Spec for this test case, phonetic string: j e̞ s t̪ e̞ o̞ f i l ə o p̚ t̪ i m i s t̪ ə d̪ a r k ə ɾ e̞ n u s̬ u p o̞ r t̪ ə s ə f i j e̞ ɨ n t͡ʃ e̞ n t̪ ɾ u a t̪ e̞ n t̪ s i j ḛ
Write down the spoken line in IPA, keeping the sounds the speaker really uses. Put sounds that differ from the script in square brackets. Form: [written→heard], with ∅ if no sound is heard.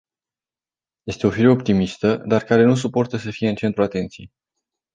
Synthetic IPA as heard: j e̞ s t̪ e̞ o̞ f i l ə o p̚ t̪ i m i s t̪ ə d̪ a r k [ə→a] ɾ e̞ n u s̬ u p o̞ r t̪ ə s ə f i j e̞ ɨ n t͡ʃ e̞ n t̪ ɾ u a t̪ e̞ n t̪ s i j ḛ